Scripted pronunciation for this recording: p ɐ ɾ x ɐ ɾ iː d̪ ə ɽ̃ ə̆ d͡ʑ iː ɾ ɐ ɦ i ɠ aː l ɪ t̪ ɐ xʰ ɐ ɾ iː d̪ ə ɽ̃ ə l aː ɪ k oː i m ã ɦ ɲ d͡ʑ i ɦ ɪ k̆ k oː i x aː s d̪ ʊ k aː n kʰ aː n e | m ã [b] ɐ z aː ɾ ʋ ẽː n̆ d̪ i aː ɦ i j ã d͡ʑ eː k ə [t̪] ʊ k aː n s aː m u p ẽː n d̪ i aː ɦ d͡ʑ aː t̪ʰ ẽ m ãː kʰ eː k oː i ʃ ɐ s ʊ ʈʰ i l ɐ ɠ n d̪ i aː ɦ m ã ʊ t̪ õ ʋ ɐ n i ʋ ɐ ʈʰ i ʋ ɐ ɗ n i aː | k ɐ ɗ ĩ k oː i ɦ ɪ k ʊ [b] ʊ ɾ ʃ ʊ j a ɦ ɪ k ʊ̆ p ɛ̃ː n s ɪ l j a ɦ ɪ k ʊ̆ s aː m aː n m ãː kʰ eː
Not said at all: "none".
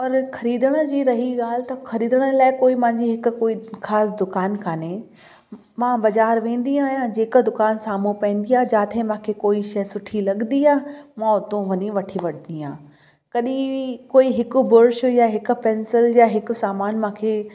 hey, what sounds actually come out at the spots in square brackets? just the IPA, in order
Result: b, d̪, b

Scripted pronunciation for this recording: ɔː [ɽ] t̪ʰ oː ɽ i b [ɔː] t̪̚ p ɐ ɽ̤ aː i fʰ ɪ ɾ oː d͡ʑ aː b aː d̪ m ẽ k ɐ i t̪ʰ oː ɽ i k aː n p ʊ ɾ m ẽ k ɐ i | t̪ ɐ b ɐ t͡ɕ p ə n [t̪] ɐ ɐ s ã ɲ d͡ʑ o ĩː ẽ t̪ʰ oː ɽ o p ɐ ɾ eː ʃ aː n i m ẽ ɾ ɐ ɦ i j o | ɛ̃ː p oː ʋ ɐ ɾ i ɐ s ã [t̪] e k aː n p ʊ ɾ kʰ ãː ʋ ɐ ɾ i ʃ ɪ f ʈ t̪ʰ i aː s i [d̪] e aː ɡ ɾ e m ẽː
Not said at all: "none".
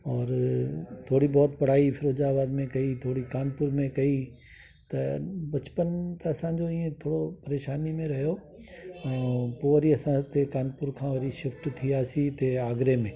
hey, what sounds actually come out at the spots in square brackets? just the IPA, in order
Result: ɾ, ɔː, t̪, t̪, t̪

